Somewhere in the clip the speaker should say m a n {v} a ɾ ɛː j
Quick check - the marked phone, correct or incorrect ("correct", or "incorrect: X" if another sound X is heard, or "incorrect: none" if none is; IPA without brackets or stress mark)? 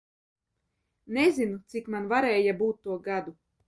correct